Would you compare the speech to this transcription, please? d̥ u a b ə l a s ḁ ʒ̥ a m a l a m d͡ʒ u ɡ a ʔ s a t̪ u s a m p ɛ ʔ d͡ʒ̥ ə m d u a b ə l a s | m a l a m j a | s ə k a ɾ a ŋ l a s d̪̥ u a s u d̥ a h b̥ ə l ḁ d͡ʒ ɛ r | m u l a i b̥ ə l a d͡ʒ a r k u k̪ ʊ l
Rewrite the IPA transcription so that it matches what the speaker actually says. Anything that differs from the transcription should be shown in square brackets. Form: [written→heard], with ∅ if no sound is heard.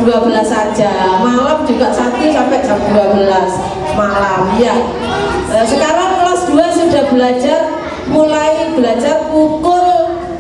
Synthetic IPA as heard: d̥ u a b ə l a s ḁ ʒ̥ a m a l a m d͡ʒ u ɡ a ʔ s a t̪ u s a m p ɛ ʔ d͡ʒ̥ [ə→a] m d u a b ə l a s | m a l a m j a | s ə k a ɾ a ŋ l a s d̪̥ u a s u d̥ a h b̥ ə l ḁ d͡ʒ [ɛ→a] r | m u l a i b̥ ə l a d͡ʒ a r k u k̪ ʊ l